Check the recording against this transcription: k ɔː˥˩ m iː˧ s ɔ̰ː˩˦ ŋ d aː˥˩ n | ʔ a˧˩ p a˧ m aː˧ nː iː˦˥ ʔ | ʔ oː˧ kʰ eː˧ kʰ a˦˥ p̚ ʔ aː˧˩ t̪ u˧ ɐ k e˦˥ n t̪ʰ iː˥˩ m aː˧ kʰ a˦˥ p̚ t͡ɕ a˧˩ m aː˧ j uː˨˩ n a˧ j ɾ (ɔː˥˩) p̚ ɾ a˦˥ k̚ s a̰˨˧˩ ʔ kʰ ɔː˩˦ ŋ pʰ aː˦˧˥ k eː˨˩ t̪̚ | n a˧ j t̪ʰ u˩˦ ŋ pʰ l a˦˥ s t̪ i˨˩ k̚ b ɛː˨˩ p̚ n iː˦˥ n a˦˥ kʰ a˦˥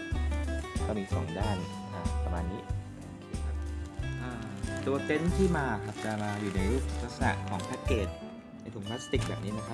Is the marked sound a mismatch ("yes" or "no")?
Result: yes